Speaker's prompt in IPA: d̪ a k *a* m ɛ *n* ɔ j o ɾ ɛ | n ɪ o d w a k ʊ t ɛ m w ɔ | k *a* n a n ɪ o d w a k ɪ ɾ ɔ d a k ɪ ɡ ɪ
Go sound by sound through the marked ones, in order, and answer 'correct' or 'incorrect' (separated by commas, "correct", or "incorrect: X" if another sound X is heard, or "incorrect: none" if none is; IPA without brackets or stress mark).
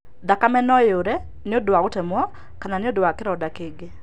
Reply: correct, correct, correct